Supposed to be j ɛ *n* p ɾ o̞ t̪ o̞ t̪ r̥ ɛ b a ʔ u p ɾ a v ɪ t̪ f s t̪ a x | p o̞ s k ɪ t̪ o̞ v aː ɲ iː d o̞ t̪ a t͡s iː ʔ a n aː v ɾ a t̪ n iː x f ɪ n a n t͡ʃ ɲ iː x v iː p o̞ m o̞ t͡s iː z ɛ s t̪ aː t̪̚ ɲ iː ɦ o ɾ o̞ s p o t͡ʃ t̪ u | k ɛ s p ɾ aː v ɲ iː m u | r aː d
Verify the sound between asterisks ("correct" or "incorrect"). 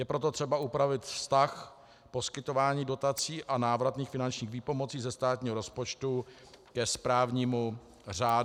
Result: incorrect